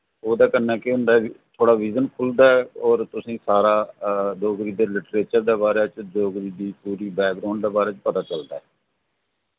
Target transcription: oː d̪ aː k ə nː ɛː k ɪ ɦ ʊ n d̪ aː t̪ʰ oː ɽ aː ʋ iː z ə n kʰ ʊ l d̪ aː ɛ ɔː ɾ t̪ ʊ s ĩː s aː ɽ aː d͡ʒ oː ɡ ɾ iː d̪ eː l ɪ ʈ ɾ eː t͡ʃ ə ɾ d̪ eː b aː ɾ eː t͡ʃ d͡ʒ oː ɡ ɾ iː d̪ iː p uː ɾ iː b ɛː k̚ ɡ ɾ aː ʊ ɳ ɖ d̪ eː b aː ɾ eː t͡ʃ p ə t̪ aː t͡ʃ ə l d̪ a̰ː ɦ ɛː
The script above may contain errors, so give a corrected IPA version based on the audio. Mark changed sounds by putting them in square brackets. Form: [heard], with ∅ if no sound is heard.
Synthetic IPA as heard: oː d̪ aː k ə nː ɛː k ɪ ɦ ʊ n d̪ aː t̪ʰ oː ɽ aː ʋ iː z ə n kʰ ʊ l d̪ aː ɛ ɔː ɾ t̪ ʊ s ĩː s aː [ɾ] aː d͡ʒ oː ɡ ɾ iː d̪ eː l ɪ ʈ ɾ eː t͡ʃ ə ɾ d̪ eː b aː ɾ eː t͡ʃ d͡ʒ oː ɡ ɾ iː d̪ iː p uː ɾ iː b ɛː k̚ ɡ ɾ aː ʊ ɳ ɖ d̪ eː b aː ɾ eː t͡ʃ p ə t̪ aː t͡ʃ ə l d̪ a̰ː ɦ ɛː

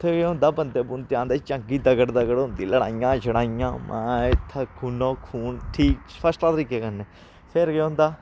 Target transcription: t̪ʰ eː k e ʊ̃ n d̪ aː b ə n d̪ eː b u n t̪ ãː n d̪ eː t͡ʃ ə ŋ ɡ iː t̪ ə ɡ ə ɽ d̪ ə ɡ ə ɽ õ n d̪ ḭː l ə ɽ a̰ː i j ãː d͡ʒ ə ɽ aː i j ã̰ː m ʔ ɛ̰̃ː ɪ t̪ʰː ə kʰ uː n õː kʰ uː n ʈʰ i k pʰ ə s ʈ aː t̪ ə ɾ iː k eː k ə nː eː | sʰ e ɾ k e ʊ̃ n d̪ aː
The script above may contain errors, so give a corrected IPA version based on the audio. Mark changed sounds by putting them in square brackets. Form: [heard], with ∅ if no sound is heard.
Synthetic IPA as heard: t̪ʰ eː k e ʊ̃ n d̪ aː b ə n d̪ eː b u n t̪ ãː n d̪ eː t͡ʃ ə ŋ ɡ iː [d̪] ə ɡ ə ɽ d̪ ə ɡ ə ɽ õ n d̪ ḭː l ə ɽ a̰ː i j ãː d͡ʒ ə ɽ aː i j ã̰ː m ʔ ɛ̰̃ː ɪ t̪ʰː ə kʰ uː n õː kʰ uː n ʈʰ [iː] k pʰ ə s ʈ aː t̪ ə ɾ iː k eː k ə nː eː | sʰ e ɾ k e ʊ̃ n d̪ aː

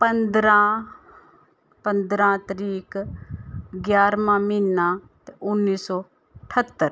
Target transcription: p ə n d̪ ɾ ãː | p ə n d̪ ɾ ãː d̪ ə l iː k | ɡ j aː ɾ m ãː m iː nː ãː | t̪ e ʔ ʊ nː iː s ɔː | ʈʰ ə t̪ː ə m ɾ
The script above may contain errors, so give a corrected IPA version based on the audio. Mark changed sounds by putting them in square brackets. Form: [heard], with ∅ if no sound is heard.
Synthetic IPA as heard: p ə n d̪ ɾ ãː | p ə n d̪ ɾ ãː [t̪] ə [ɾ] iː k | ɡ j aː ɾ m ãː m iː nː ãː | t̪ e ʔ ʊ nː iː s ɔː | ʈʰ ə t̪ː ə [∅] ɾ

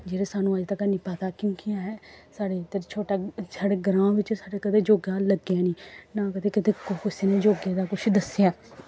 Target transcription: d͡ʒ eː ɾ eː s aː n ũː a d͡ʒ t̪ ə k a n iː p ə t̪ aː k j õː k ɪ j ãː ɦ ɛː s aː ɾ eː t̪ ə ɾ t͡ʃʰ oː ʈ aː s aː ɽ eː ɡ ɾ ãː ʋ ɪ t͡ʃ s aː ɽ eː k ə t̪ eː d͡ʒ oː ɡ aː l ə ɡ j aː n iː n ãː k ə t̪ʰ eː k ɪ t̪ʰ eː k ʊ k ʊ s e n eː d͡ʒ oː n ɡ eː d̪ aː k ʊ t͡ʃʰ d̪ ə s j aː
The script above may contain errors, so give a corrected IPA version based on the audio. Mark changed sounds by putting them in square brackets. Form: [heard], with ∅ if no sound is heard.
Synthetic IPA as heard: d͡ʒ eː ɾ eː s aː n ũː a d͡ʒ t̪ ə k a n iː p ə t̪ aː k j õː k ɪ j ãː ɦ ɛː s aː [ɽ] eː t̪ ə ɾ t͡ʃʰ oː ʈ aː s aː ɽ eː ɡ ɾ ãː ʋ ɪ t͡ʃ s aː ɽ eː k ə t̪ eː d͡ʒ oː ɡ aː l ə ɡ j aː n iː n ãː k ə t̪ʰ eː k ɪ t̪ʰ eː k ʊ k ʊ s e n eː d͡ʒ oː [∅] ɡ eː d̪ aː k ʊ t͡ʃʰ d̪ ə s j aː

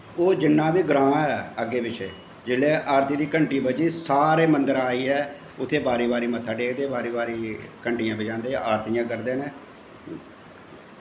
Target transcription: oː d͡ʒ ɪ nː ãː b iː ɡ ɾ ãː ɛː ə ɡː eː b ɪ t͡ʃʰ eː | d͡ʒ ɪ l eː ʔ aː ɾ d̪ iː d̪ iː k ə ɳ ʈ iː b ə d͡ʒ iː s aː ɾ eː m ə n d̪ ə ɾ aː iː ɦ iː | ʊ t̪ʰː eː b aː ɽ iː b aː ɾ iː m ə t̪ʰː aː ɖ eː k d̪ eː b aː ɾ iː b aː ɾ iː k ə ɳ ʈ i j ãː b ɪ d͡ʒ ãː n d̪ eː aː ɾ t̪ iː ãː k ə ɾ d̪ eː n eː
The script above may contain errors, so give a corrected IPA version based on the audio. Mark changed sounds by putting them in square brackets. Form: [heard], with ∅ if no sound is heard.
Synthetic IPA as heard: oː d͡ʒ ɪ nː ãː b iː ɡ ɾ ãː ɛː ə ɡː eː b ɪ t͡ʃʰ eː | d͡ʒ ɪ l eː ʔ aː ɾ [t̪] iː d̪ iː k ə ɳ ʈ iː b ə d͡ʒ iː s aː ɾ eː m ə n d̪ ə ɾ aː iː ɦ [ɛː] | ʊ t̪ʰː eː b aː [ɾ] iː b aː ɾ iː m ə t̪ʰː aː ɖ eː k d̪ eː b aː ɾ iː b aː ɾ iː k ə ɳ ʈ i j ãː b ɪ d͡ʒ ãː n d̪ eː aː ɾ t̪ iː ãː k ə ɾ d̪ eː n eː

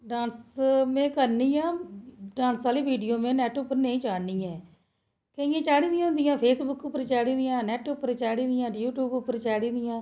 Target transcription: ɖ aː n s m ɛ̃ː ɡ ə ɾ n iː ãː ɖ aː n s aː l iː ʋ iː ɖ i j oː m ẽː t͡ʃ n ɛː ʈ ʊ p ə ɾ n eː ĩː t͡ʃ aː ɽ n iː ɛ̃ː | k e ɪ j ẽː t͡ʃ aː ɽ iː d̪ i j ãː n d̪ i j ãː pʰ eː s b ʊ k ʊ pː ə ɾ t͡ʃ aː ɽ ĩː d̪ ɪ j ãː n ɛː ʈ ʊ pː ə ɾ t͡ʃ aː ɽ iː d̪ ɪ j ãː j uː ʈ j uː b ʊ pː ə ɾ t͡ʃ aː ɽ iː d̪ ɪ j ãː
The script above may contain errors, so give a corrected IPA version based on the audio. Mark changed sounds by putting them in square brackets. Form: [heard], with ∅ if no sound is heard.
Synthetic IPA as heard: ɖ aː n s m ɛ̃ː [k] ə ɾ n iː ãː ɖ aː n s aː l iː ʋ iː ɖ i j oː m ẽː [∅] n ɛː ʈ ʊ p ə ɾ n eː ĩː t͡ʃ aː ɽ n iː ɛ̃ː | k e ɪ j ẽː t͡ʃ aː ɽ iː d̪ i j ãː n d̪ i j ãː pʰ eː s b ʊ k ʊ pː ə ɾ t͡ʃ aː ɽ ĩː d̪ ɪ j ãː n ɛː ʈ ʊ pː ə ɾ t͡ʃ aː ɽ iː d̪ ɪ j ãː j uː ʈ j uː b ʊ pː ə ɾ t͡ʃ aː ɽ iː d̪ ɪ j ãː

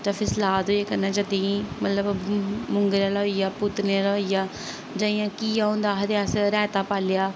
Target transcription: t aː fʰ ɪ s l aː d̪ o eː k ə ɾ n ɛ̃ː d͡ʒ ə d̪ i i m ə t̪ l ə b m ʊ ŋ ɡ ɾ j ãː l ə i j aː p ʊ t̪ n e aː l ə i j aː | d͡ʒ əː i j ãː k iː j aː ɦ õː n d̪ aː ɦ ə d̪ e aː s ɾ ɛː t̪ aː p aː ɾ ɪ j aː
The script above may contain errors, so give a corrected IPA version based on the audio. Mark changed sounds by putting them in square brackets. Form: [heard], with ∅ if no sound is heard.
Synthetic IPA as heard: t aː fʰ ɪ s l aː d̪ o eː k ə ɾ n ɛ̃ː d͡ʒ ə d̪ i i m ə t̪ l ə b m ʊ ŋ ɡ ɾ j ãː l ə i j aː p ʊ t̪ n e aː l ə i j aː | d͡ʒ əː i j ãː k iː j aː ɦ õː n d̪ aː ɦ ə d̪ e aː s ɾ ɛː t̪ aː p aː [l] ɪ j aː

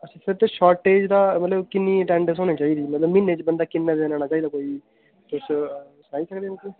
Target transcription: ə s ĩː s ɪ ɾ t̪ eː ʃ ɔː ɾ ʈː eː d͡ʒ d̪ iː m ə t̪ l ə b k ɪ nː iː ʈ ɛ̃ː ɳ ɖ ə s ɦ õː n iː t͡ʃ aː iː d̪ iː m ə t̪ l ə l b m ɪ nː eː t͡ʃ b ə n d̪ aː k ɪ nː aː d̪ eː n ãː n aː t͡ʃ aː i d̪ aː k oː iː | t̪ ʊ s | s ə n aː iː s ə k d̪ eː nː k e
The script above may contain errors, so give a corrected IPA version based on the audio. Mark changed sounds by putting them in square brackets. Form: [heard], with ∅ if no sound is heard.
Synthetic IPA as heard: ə s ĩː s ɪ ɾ t̪ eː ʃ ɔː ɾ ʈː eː d͡ʒ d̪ [aː] m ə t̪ l ə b k ɪ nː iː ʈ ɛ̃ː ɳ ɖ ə s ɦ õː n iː t͡ʃ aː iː d̪ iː m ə t̪ l ə [∅] b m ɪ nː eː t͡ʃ b ə n d̪ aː k ɪ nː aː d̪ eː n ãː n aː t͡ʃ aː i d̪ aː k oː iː | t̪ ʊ s | s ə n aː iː s ə k d̪ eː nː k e

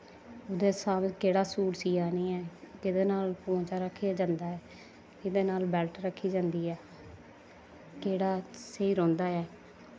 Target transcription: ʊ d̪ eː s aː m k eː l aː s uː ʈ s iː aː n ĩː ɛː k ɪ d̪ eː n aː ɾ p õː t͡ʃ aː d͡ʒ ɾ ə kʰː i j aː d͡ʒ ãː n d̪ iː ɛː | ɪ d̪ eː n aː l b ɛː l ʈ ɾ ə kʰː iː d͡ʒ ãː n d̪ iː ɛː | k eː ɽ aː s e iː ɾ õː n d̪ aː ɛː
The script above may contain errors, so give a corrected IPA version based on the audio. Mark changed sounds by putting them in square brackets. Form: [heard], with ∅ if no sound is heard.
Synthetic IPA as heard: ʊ d̪ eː s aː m k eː [ɽ] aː s uː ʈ s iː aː n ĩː ɛː k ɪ d̪ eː n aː [l] p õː t͡ʃ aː [∅] ɾ ə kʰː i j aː d͡ʒ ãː n d̪ [aː] ɛː | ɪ d̪ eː n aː l b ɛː l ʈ ɾ ə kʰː iː d͡ʒ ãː n d̪ iː ɛː | k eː ɽ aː s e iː ɾ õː n d̪ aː ɛː

